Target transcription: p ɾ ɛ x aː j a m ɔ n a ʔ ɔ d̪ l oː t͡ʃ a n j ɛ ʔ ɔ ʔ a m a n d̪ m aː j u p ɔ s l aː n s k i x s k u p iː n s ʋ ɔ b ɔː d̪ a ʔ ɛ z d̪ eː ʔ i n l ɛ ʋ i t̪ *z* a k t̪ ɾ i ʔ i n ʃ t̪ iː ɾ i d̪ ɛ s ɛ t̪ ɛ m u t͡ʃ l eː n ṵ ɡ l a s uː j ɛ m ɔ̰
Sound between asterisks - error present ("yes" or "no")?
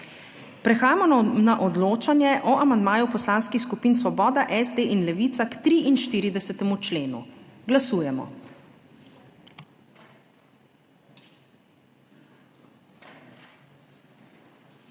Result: yes